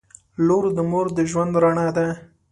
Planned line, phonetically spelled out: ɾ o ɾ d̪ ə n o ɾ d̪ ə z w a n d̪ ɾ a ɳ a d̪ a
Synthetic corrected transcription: l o ɾ d̪ ə m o ɾ d̪ ə ʒ w a n d̪ ɾ a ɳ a d̪ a